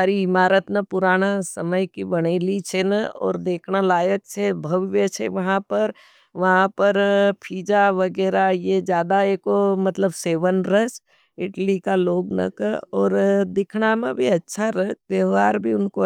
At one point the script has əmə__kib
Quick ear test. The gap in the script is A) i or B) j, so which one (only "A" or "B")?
B